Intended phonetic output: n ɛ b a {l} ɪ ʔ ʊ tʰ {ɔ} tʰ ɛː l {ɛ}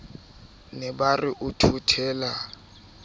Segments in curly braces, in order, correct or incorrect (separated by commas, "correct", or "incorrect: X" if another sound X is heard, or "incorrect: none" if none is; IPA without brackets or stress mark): incorrect: r, incorrect: u, incorrect: a